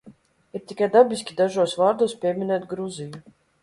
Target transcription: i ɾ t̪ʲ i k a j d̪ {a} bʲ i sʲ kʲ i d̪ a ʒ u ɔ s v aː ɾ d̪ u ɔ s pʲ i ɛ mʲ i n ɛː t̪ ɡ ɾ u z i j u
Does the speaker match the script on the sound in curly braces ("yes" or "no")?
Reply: yes